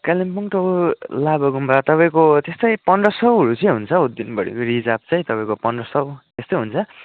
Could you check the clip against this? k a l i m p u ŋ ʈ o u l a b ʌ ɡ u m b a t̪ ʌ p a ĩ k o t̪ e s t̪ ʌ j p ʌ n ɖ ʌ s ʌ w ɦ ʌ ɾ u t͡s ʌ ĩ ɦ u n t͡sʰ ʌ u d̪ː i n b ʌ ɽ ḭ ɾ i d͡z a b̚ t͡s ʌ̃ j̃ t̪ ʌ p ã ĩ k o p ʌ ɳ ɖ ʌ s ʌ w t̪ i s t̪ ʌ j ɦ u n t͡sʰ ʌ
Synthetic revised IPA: k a l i m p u ŋ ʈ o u l a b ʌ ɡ u m b a t̪ ʌ p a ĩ k o t̪ e s t̪ ʌ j p ʌ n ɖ ʌ s ʌ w ɦ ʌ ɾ u t͡s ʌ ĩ ɦ u n t͡sʰ ʌ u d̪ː i n b ʌ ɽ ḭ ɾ i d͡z a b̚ t͡s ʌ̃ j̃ t̪ ʌ p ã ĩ k o p ʌ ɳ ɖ ʌ s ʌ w t̪ e s t̪ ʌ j ɦ u n t͡sʰ ʌ

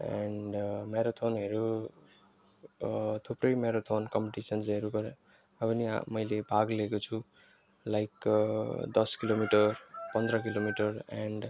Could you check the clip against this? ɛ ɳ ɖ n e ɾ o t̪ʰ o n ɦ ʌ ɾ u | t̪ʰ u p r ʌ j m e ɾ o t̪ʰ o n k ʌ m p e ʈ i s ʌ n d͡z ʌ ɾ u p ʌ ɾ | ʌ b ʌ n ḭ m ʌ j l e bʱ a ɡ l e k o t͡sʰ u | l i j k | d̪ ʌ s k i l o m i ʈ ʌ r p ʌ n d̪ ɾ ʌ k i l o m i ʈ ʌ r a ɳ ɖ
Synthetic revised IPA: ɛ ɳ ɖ m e ɾ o t̪ʰ o n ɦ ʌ ɾ u | t̪ʰ u p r ʌ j m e ɾ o t̪ʰ o n k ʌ m p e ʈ i s ʌ n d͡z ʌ ɾ u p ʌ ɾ | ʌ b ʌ n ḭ m ʌ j l e bʱ a ɡ l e k o t͡sʰ u | l a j k | d̪ ʌ s k i l o m i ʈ ʌ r p ʌ n d̪ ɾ ʌ k i l o m i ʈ ʌ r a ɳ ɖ

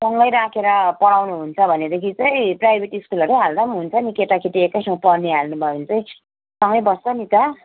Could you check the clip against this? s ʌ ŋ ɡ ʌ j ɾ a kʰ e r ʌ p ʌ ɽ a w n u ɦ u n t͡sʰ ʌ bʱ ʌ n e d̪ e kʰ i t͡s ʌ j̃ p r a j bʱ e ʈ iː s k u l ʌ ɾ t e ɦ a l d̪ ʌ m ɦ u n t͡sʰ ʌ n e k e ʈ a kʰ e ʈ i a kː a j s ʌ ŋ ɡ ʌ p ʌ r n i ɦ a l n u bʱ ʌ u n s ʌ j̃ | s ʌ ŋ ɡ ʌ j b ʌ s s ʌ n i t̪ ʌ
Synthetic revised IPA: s ʌ ŋ ɡ ʌ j ɾ a kʰ e ɾ ʌ p ʌ ɽ a w n u ɦ u n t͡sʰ ʌ bʱ ʌ n e d̪ e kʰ i t͡s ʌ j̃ p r a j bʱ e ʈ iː s k u l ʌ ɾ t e ɦ a l d̪ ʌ m ɦ u n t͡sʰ ʌ n i k e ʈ a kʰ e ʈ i e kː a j s ʌ ŋ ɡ ʌ p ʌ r n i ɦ a l n u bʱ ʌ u n t͡s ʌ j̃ | s ʌ ŋ ɡ ʌ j b ʌ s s ʌ n i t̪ ʌ

